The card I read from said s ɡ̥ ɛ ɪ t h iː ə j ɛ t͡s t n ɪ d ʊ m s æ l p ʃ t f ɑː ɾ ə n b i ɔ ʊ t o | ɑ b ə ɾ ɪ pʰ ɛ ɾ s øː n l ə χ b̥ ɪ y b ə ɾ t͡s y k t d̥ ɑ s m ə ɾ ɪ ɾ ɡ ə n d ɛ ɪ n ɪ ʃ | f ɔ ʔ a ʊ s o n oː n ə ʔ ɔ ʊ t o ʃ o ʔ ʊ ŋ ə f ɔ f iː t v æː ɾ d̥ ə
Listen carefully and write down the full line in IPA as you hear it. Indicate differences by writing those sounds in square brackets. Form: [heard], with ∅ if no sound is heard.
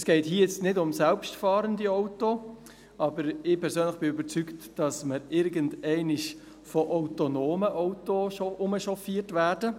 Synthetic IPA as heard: s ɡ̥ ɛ ɪ t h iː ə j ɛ t͡s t n ɪ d ʊ m s [ɛ] l p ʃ t f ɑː ɾ ə n [d] i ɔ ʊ t o | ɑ b ə ɾ ɪ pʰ ɛ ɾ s øː n l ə χ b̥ ɪ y b ə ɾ t͡s y k t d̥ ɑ s m ə ɾ ɪ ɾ ɡ ə n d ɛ ɪ n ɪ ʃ | f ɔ ʔ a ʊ [t] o n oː [m] ə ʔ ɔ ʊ t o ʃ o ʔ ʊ [m] ə [ʃ] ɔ f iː t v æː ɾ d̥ ə